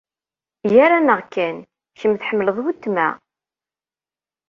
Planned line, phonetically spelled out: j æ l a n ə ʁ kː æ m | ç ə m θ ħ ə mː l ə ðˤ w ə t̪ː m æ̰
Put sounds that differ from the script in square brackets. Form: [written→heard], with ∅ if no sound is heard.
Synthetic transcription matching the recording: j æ [l→ɾ] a n ə ʁ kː æ [m→n] | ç ə m θ ħ ə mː l ə ðˤ w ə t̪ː m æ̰